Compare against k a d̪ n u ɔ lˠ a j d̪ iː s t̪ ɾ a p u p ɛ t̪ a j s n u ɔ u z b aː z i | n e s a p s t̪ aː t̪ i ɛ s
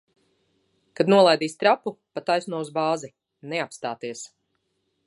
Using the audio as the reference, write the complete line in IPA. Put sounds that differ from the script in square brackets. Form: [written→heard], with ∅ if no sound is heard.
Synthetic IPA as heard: k a d̪ n u ɔ lˠ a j d̪ iː s t̪ ɾ a p u p [ɛ→a] t̪ a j s n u ɔ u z b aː z i | n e [s→∅] a p s t̪ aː t̪ i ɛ s